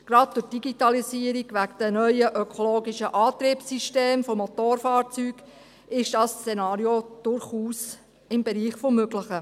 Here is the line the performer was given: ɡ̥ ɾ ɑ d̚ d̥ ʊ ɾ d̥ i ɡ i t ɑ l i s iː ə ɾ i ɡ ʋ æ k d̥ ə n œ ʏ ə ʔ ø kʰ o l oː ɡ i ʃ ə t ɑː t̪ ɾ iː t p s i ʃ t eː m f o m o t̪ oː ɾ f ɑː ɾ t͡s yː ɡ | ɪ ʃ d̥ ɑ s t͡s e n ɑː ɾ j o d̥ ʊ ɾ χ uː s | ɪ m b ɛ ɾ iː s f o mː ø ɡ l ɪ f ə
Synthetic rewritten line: ɡ̥ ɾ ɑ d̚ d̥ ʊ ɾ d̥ i ɡ i t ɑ l i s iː ə ɾ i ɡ ʋ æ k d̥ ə n œ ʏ ə ʔ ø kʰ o l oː ɡ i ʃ ə ʔ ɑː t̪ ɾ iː p s i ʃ t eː m f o m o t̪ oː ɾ f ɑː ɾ t͡s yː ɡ | ɪ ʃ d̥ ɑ s t͡s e n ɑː ɾ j o d̥ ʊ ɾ χ uː s | ɪ m b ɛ ɾ iː χ f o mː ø ɡ l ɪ χ ə